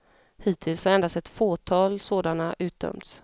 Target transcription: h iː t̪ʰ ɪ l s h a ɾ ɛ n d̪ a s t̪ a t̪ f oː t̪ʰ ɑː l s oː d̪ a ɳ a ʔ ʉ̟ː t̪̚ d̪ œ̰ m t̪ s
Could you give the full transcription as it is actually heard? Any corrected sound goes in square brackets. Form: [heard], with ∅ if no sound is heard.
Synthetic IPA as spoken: h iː t̪ʰ ɪ l s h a ɾ ɛ n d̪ a s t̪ [ɛ] t̪ f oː t̪ʰ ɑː l s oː d̪ a [n] a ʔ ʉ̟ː t̪̚ d̪ œ̰ m t̪ s